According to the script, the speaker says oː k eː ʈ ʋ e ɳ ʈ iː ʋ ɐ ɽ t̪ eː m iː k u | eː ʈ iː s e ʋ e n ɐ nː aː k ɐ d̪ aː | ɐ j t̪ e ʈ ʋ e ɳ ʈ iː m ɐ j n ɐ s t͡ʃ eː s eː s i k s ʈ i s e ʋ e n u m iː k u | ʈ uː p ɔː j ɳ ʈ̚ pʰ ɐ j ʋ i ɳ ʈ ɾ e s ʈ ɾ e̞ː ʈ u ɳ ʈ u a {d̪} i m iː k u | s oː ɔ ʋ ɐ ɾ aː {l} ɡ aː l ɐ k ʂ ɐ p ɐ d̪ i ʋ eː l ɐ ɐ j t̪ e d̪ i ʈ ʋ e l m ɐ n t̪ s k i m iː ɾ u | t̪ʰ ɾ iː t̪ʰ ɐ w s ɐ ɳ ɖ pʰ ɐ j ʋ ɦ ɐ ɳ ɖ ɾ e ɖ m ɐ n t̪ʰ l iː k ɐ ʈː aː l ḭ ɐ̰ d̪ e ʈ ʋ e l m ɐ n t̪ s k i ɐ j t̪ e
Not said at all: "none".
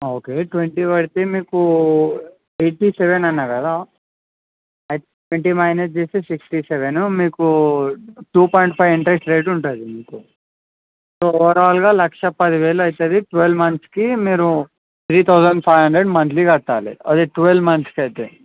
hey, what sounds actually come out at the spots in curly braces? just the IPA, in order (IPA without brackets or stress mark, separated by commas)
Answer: d̪, l